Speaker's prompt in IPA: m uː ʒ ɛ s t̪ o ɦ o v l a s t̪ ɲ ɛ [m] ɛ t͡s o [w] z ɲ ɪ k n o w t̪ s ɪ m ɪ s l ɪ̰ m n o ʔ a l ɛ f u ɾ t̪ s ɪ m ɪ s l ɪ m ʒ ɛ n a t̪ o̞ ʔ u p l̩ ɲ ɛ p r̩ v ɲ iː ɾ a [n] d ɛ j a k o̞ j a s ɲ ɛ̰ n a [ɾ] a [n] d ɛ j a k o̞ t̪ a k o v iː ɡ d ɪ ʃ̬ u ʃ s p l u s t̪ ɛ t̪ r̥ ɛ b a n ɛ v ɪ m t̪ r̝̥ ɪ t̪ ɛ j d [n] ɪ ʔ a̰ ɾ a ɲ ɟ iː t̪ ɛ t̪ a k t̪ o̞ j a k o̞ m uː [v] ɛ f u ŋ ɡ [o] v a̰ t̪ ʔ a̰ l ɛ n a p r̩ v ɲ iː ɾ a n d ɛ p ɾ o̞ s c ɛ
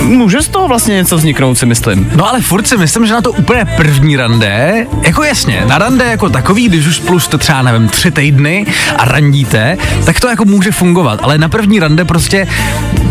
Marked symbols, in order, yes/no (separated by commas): no, no, yes, yes, yes, yes, no, yes